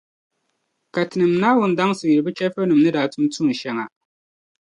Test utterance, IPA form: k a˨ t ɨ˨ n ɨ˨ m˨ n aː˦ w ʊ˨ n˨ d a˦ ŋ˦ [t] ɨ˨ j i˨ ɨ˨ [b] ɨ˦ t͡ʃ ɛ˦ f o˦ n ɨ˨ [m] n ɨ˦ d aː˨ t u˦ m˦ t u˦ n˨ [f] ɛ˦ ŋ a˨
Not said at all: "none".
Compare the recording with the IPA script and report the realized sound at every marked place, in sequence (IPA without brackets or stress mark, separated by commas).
s, b, m, ʃ